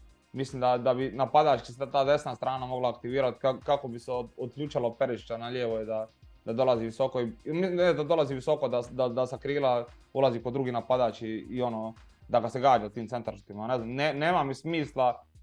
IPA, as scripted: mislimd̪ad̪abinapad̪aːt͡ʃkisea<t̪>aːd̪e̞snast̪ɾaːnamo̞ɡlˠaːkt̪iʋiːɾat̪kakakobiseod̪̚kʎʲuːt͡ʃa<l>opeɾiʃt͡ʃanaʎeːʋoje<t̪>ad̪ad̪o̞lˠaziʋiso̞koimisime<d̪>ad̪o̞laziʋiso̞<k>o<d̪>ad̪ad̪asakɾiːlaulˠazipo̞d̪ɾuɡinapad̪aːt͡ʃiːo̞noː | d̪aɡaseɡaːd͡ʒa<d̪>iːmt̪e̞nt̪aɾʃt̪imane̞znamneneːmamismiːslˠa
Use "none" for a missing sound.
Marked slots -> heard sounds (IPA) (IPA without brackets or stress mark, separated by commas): t̪, l, d̪, d̪, k, d̪, t̪